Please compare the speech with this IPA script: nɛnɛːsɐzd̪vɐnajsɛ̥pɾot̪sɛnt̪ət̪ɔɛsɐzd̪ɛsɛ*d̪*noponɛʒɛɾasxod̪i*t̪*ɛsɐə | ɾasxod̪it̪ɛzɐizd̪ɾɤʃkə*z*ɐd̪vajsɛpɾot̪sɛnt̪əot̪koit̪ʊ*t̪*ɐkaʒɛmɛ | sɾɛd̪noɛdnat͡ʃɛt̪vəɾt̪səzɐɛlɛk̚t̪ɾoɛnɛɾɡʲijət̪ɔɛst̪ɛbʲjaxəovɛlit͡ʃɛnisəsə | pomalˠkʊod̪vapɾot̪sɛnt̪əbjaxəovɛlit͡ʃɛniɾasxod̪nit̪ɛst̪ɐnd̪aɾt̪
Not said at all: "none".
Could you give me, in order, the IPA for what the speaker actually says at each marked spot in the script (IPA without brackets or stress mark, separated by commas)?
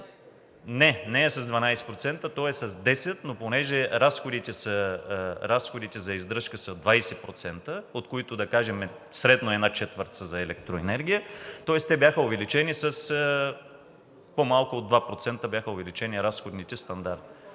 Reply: t̪, t̪, s, d̪